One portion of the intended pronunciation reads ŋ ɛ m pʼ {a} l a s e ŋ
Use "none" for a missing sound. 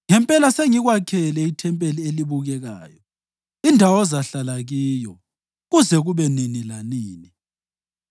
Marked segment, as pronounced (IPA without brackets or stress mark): ɛ